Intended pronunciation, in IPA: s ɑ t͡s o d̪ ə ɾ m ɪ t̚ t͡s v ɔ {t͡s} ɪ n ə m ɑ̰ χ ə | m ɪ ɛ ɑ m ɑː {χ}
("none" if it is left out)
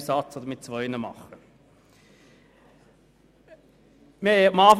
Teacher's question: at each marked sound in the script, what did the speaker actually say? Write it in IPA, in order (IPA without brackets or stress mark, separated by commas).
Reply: none, f